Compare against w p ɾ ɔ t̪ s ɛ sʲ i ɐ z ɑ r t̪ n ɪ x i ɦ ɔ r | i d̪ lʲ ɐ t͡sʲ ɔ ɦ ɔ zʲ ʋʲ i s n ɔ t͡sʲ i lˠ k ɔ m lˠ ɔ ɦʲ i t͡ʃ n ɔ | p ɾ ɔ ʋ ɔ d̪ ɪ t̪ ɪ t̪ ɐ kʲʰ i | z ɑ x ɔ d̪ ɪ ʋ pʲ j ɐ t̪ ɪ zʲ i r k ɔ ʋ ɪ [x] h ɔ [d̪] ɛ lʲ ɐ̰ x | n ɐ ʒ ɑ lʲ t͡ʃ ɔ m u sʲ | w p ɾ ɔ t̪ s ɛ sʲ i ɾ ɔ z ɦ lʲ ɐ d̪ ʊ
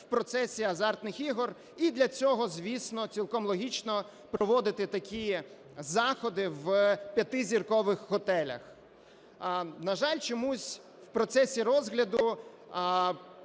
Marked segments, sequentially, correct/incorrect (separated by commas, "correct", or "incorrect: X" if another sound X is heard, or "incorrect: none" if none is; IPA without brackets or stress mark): correct, incorrect: t̪